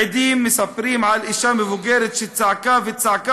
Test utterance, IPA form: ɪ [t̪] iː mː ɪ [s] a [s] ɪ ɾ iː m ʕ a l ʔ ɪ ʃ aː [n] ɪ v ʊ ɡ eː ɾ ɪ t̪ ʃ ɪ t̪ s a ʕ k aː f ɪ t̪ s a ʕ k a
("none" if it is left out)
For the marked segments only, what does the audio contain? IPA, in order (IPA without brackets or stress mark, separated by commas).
d̪, s, f, m